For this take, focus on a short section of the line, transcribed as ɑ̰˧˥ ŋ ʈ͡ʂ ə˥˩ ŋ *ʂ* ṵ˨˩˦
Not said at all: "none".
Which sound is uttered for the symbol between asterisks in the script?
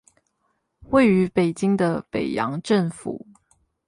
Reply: f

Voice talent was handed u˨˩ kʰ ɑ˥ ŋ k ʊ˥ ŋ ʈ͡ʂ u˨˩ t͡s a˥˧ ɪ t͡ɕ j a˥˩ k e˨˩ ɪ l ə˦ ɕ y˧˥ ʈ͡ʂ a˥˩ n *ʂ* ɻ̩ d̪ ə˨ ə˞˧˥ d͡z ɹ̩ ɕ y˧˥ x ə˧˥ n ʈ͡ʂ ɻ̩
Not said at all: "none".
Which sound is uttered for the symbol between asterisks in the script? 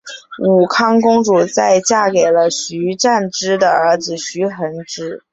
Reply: ʈ͡ʂ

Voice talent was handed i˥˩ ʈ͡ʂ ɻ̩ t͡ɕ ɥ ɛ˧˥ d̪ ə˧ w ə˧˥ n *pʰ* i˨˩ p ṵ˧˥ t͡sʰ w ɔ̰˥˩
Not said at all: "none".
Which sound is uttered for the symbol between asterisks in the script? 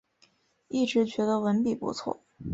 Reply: p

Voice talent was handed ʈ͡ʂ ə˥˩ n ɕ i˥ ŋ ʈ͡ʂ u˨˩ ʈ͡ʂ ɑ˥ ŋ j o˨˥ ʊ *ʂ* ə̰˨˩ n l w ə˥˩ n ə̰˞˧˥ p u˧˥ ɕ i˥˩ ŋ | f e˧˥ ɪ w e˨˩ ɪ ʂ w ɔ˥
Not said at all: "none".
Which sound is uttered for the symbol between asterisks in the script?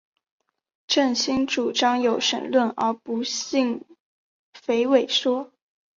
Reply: ʂ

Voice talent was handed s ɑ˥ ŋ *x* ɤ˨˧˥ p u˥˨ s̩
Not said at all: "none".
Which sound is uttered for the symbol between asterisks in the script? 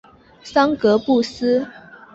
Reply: k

